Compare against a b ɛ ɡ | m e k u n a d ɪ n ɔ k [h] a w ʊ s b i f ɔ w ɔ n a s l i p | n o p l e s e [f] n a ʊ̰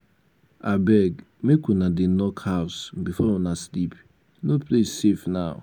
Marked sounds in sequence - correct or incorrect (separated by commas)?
correct, correct